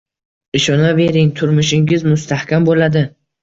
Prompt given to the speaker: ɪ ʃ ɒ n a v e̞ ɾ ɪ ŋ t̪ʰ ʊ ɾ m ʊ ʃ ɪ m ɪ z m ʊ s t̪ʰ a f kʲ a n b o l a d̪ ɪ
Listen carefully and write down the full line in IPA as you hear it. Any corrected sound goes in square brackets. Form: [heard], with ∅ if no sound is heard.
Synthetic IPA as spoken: ɪ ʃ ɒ n a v e̞ ɾ ɪ ŋ t̪ʰ ʊ ɾ m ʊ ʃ ɪ [ŋ] ɪ z m ʊ s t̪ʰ a [h] kʲ a [m] b o l a d̪ ɪ